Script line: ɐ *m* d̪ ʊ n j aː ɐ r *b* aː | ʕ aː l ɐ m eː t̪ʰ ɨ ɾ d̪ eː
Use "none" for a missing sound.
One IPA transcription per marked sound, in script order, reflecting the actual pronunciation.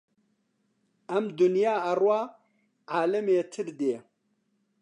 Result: m, w

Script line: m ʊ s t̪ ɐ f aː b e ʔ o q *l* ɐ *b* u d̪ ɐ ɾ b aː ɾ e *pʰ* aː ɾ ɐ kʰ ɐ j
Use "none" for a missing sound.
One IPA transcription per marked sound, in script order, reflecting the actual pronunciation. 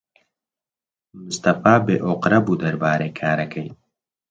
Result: ɾ, b, kʰ

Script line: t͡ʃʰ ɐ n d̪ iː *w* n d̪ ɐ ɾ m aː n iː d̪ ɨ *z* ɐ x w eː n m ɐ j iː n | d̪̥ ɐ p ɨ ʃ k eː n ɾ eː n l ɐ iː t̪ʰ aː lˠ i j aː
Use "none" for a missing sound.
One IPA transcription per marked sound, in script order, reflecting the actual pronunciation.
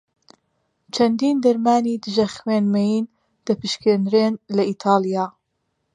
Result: none, ʒ

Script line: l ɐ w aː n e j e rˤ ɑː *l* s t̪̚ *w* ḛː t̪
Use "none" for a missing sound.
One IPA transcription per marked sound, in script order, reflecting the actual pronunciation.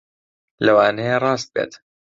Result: none, b

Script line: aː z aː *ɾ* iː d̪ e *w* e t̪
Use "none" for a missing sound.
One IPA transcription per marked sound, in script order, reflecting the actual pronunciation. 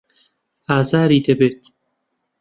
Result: ɾ, b

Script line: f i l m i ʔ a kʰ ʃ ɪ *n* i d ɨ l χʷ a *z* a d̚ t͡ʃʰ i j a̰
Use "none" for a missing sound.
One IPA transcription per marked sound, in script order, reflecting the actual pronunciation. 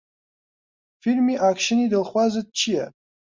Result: n, z

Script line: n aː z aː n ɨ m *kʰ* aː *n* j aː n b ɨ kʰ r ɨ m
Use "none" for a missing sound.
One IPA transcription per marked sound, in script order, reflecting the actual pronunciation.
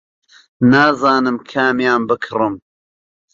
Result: kʰ, m

